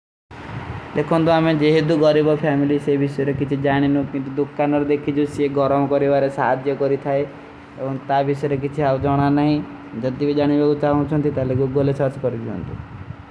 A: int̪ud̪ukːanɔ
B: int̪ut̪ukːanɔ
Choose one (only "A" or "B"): A